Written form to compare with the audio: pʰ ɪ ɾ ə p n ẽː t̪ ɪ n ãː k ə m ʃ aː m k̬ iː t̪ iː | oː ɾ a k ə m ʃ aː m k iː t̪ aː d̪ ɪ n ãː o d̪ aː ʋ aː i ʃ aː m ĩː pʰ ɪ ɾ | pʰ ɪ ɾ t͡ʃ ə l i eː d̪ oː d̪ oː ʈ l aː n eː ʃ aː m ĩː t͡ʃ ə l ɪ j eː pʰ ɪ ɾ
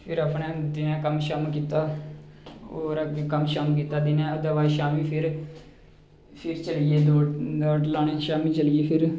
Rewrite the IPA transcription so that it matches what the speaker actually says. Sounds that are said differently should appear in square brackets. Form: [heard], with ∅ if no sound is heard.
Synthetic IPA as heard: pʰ ɪ ɾ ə p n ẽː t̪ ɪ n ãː k ə m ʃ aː m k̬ iː t̪ [aː] | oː ɾ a k ə m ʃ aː m k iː t̪ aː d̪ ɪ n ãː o d̪ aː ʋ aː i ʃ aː m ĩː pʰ ɪ ɾ | pʰ ɪ ɾ t͡ʃ ə l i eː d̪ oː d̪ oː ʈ l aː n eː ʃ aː m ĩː t͡ʃ ə l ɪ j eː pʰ ɪ ɾ